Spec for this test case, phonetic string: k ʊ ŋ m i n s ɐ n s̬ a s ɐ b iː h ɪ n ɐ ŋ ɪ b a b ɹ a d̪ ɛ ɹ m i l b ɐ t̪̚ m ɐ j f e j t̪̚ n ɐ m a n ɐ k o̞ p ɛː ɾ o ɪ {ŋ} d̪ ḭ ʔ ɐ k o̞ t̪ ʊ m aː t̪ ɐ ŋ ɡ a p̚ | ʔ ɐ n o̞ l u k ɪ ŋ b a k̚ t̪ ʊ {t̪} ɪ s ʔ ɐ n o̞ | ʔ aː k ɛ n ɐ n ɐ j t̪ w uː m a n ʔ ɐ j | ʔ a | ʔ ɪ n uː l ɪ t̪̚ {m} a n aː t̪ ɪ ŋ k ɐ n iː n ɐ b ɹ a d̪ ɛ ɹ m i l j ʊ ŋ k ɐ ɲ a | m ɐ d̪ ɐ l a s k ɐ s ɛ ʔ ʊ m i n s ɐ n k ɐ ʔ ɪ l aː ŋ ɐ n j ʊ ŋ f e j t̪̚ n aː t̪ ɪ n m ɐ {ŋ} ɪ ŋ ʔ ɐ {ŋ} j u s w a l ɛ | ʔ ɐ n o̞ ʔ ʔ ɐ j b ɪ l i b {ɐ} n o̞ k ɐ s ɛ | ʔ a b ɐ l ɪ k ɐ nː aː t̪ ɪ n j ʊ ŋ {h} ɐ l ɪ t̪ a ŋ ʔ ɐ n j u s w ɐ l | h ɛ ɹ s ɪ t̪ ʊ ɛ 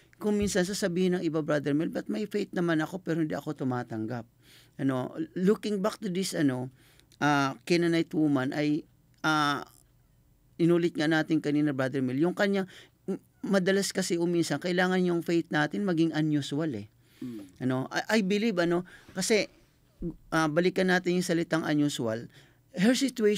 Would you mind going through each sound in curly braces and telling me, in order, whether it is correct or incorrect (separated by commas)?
incorrect, incorrect, incorrect, incorrect, incorrect, correct, incorrect